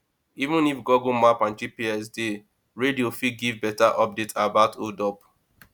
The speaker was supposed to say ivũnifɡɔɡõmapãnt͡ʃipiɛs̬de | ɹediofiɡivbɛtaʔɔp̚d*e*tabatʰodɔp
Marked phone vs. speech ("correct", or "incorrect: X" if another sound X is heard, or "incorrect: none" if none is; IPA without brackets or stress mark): correct